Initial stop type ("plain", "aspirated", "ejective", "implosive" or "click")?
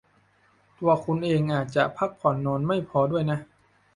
plain